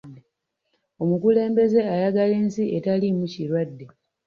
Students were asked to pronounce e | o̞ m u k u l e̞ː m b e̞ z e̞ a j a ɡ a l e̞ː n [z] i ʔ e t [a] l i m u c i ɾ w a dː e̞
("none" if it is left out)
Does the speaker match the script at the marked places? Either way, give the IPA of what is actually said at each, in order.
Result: s, a

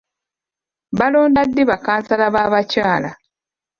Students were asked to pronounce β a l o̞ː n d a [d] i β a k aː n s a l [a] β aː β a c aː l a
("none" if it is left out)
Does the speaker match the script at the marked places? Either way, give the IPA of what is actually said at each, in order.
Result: dː, a

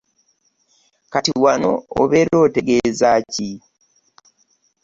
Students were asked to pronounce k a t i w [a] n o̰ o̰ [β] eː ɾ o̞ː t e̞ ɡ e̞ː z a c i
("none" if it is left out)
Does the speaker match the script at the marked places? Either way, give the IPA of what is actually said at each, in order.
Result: a, β

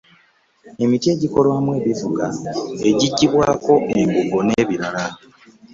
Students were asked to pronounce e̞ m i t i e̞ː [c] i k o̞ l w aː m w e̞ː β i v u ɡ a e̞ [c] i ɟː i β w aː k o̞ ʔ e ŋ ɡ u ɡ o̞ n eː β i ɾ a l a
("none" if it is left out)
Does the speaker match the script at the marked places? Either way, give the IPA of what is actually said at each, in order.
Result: ɟ, ɟ

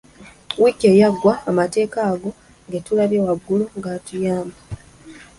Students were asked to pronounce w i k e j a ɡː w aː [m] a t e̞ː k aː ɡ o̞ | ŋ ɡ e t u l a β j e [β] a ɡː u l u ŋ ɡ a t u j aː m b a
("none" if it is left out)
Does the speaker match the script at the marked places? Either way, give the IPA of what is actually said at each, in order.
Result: m, w

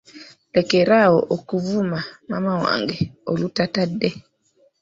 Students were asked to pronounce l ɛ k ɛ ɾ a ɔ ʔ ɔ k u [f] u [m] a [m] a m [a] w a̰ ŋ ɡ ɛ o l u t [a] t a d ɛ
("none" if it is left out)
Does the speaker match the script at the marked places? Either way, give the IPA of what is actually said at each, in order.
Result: v, m, m, a, a

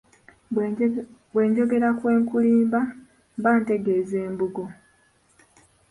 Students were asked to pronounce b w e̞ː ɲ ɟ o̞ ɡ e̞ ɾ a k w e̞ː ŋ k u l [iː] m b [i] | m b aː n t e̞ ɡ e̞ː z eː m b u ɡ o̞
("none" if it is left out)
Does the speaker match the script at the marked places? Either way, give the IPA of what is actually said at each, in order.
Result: iː, a

